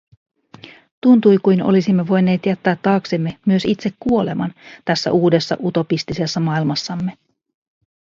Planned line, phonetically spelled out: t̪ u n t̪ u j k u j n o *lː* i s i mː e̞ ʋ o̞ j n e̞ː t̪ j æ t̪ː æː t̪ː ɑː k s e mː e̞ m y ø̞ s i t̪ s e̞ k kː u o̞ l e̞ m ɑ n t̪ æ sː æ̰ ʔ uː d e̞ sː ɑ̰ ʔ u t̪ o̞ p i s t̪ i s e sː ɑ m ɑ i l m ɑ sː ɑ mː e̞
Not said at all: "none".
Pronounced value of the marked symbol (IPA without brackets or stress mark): l